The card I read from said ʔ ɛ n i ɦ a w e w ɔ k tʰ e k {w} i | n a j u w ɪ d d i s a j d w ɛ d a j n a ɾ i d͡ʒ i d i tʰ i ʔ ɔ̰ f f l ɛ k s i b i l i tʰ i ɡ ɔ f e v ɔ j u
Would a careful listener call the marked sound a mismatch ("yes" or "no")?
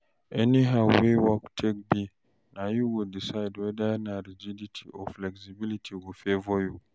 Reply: yes